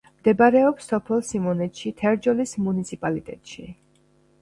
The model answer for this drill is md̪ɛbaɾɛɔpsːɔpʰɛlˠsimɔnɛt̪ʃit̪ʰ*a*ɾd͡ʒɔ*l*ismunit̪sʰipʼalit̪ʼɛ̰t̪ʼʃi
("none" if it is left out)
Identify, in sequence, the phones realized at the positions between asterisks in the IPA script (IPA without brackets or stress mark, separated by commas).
ɛ, l